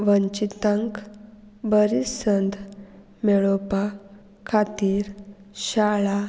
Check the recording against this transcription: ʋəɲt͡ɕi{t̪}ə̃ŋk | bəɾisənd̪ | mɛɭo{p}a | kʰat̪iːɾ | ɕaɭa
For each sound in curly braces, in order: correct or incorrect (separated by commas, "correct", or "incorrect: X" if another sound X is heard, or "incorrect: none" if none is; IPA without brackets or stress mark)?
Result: correct, correct